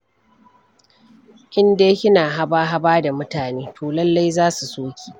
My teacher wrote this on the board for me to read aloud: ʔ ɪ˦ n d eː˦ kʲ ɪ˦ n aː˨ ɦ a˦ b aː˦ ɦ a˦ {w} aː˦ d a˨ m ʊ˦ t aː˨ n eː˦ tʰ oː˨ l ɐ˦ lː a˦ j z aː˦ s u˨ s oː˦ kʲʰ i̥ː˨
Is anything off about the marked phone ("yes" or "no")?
yes